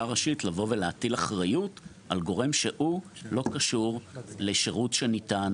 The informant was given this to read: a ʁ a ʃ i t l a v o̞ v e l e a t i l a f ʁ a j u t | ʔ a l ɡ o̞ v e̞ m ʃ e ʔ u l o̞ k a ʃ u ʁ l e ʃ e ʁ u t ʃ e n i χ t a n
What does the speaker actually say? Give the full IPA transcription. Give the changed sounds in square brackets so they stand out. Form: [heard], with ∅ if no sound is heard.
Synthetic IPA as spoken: a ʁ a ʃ i t l a v o̞ v e l e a t i l a [χ] ʁ a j u t | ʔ a l ɡ o̞ [ʁ] e̞ m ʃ e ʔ u l o̞ k a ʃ u ʁ l e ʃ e ʁ u t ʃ e n i [∅] t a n